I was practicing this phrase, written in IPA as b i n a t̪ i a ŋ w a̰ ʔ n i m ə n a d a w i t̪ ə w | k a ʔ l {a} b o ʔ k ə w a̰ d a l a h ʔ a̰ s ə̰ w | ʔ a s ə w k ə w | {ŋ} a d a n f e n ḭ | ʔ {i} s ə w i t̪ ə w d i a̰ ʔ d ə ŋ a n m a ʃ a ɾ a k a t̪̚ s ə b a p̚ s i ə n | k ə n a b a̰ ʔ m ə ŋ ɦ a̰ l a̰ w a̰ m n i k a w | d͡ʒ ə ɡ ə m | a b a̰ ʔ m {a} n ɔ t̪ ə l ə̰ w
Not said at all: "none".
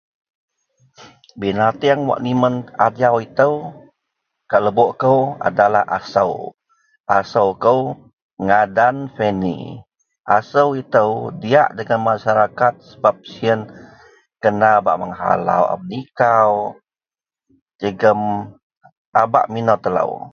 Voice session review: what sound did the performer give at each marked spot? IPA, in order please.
ə, ŋ, a, i

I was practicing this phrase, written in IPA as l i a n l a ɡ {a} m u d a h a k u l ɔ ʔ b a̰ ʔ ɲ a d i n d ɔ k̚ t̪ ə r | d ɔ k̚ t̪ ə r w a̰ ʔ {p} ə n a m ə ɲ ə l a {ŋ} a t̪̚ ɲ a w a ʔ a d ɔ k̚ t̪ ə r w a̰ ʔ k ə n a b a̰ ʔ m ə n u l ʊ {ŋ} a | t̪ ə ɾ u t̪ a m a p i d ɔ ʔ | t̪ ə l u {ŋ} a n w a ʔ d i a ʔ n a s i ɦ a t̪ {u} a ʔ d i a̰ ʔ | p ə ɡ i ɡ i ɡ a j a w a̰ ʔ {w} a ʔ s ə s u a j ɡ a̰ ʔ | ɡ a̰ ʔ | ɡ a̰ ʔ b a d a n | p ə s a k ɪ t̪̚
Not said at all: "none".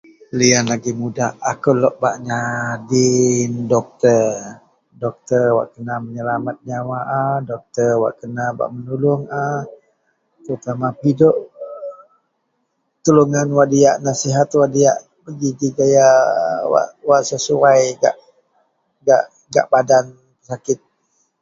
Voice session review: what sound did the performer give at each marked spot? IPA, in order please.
i, k, m, ŋ, ŋ, w, w

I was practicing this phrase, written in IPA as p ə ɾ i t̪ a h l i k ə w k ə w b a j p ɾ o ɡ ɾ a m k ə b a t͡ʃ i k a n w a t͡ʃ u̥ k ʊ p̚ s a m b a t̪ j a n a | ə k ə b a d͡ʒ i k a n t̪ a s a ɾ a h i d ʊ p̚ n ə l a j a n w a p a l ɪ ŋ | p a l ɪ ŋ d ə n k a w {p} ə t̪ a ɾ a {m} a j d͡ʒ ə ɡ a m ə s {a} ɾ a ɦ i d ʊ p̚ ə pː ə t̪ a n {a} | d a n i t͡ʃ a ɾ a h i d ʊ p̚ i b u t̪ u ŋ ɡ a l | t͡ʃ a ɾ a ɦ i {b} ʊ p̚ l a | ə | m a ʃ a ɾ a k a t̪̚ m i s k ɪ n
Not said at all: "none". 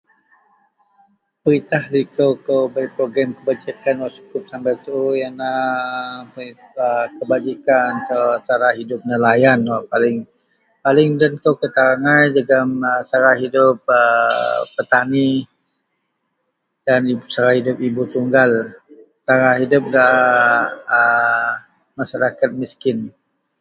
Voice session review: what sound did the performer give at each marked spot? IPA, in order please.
k, ŋ, a, i, d

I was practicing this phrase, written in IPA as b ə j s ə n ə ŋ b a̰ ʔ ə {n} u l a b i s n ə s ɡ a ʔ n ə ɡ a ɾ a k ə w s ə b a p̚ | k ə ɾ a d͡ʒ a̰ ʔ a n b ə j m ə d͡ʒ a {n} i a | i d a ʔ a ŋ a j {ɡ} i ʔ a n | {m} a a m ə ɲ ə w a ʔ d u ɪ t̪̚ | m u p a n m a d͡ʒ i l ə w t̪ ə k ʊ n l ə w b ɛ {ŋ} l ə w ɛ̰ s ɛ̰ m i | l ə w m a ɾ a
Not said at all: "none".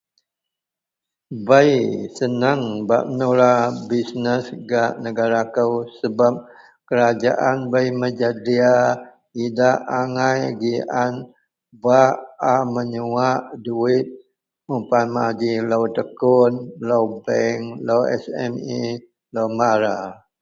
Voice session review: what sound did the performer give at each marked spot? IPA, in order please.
n, d, ɡ, b, ŋ

